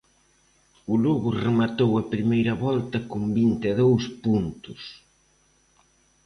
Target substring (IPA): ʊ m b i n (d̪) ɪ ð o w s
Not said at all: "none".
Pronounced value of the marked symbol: t̪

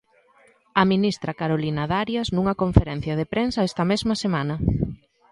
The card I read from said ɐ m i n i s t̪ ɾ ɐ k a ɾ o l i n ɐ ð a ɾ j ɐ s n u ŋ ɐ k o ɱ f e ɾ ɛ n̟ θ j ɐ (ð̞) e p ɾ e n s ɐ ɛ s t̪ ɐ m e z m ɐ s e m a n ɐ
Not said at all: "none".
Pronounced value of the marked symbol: ð̞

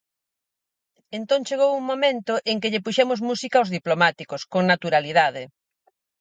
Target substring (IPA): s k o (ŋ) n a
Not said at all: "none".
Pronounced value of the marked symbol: ŋ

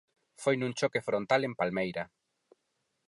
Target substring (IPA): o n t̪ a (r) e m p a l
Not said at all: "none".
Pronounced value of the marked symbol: l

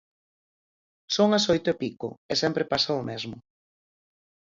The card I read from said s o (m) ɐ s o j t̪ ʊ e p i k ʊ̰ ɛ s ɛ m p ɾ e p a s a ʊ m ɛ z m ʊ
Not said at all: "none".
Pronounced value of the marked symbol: ŋ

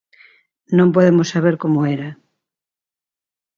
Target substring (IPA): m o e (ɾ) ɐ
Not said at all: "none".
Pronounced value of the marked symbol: ɾ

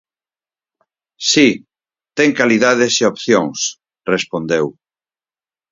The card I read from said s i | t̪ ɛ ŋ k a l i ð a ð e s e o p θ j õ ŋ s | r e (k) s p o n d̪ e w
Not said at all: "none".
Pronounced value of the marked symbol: none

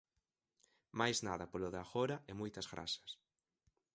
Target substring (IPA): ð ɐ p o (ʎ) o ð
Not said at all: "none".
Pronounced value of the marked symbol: l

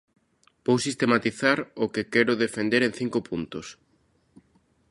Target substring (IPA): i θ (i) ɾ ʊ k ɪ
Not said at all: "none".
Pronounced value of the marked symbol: a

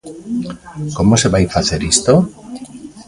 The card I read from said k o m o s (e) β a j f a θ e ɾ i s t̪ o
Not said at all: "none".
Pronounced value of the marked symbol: e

